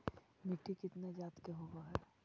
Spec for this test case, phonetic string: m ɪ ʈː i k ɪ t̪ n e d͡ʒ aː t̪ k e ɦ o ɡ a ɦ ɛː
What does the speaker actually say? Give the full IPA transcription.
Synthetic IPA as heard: m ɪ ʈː i k ɪ t̪ n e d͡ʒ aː t̪ k e ɦ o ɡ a ɦ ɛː

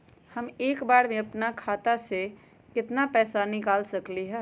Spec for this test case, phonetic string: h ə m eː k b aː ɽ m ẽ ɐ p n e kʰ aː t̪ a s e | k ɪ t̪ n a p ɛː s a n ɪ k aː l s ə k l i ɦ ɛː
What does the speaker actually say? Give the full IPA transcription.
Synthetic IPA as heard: h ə m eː k b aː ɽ m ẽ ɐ p n a kʰ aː t̪ a s e | k ɪ t̪ n a p ɛː s a n ɪ k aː l s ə k l i ɦ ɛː

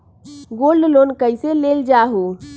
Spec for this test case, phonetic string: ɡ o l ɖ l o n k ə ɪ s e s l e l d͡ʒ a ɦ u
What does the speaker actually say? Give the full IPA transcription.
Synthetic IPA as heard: ɡ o l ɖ l o n k ə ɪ s e l e l d͡ʒ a ɦ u

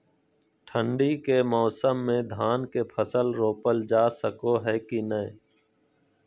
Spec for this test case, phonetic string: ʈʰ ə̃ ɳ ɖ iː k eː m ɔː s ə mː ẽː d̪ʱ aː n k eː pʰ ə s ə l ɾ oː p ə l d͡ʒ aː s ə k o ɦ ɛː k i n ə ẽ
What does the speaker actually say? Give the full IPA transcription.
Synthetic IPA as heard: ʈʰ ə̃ ɳ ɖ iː k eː m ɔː s ə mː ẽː d̪ʱ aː n k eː pʰ ə s ə l ɾ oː p ə l d͡ʒ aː s ə k o ɦ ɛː k i n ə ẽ

